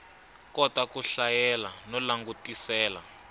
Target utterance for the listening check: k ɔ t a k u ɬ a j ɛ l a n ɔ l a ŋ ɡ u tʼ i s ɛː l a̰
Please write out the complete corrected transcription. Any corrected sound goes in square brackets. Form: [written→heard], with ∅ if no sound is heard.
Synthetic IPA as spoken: k ɔ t a k u ɬ a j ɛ l a n ɔ l a ŋ ɡ u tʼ i s ɛː l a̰